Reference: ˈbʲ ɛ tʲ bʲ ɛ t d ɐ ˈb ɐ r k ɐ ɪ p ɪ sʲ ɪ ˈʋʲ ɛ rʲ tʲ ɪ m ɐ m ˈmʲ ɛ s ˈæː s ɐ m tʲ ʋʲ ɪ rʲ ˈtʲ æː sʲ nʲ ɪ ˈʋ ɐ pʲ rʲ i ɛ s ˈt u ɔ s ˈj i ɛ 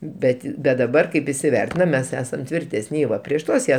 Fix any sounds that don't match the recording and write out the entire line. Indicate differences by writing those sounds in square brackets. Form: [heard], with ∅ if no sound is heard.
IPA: ˈbʲ ɛ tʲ bʲ ɛ t d ɐ ˈb ɐ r k ɐ ɪ p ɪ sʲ ɪ ˈʋʲ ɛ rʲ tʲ ɪ [n] ɐ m ˈmʲ ɛ s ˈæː s ɐ m tʲ ʋʲ ɪ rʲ ˈtʲ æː sʲ nʲ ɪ ˈʋ ɐ pʲ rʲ i ɛ [ʃ] ˈt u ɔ s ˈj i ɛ